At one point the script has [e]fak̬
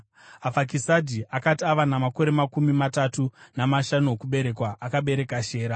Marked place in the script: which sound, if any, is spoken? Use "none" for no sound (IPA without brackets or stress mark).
a